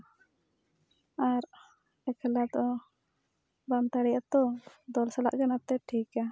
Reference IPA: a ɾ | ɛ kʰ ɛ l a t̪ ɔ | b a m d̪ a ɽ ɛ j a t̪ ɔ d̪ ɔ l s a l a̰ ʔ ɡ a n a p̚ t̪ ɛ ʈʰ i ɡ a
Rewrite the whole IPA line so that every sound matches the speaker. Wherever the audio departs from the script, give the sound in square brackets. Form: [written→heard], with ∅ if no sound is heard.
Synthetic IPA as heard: a ɾ | ɛ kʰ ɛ l a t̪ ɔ | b a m [d̪→t̪] a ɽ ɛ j a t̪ ɔ d̪ ɔ l s a l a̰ ʔ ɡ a n a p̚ t̪ ɛ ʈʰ i [ɡ→k] a